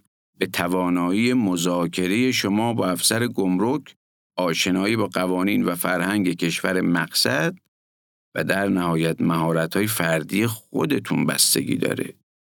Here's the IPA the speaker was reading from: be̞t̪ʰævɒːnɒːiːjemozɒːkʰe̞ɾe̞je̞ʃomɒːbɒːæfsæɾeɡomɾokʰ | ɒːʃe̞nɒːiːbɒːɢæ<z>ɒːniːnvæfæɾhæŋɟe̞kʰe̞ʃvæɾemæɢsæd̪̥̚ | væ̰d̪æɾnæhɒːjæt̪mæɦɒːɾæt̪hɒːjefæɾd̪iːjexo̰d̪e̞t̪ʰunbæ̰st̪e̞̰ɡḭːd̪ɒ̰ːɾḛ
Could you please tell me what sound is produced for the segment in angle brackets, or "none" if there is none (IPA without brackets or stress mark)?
v